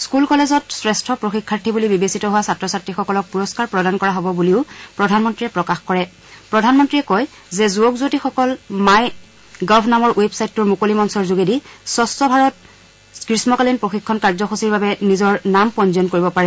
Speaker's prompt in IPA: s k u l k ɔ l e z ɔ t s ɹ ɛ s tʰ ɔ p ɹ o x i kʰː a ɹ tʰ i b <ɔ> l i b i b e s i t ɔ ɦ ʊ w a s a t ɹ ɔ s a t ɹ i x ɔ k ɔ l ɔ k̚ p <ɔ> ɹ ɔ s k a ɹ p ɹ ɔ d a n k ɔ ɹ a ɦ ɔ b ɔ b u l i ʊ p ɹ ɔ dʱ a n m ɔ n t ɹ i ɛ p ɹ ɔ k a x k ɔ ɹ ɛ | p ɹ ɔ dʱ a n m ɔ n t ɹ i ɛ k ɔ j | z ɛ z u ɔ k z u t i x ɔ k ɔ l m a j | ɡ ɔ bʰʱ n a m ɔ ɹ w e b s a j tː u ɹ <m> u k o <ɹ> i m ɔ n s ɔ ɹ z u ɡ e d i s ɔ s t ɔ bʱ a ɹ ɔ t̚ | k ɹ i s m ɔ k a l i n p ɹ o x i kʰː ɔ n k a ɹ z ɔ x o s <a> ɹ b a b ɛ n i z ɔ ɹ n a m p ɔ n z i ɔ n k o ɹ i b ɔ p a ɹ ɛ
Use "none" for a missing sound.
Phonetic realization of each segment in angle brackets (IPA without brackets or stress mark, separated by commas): u, u, m, l, i